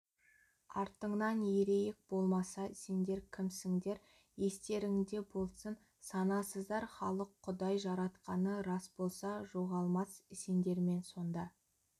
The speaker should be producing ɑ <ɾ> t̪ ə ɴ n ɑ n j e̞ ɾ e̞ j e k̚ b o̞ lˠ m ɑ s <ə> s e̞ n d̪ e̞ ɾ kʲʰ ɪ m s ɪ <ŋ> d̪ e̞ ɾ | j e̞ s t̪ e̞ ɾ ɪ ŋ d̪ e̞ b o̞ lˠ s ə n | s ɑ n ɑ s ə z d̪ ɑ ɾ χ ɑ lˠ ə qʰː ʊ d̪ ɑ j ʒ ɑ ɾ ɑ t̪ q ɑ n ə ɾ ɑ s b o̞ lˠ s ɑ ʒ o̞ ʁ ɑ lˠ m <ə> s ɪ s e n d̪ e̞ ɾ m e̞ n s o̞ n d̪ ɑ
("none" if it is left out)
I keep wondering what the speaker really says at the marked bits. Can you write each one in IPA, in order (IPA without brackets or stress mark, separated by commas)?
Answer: ɾ, ɑ, ŋ, ɑ